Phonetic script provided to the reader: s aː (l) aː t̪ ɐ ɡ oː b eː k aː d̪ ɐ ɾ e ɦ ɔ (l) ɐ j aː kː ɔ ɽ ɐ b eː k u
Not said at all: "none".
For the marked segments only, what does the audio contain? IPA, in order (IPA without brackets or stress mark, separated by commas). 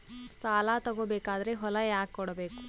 l, l